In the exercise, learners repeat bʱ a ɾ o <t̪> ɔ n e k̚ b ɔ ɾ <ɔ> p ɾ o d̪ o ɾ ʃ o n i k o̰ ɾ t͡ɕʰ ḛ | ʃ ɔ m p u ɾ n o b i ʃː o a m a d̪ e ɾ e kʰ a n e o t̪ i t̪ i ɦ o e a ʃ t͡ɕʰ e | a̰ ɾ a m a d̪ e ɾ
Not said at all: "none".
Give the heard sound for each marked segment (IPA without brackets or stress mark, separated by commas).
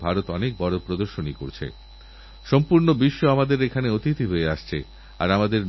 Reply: t̪, o